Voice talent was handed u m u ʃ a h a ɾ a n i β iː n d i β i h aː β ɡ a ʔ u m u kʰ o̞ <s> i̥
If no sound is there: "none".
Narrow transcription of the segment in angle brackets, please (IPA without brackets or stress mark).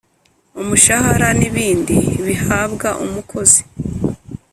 z